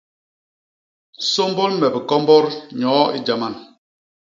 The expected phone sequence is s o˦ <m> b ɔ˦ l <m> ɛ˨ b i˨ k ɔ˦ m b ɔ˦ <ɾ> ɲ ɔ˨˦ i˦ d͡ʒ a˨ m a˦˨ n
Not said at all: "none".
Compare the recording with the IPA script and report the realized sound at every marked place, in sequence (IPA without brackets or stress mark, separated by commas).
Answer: m, m, ɾ